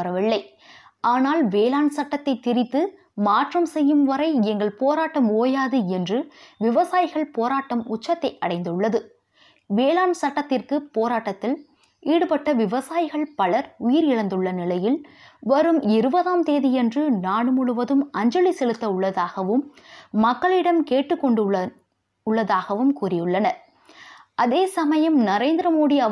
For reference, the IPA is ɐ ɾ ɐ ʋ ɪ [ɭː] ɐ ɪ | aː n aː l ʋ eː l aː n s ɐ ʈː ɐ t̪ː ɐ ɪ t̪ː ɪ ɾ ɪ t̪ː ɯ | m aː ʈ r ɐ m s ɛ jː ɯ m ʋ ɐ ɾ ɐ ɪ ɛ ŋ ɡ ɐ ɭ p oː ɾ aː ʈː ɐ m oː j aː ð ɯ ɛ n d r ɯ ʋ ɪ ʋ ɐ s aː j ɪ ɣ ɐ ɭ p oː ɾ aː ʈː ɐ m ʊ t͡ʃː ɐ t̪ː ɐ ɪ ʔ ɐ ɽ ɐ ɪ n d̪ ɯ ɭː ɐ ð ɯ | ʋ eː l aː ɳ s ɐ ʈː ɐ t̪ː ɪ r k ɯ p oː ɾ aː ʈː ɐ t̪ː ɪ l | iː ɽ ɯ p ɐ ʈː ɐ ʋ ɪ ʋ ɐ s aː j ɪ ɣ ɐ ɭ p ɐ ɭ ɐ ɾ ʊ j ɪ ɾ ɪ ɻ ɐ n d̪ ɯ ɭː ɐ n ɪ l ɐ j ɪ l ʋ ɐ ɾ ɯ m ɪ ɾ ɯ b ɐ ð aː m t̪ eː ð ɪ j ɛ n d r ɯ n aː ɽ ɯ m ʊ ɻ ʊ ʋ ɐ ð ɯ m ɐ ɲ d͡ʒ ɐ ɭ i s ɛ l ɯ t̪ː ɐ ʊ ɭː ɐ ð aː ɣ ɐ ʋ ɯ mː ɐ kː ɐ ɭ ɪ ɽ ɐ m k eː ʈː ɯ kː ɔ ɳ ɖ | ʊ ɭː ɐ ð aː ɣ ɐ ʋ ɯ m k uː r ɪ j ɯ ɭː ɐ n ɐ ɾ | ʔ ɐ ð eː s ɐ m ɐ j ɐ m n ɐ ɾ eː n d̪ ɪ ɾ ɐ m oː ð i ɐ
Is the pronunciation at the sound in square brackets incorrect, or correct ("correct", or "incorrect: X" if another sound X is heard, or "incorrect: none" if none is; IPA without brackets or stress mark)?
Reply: correct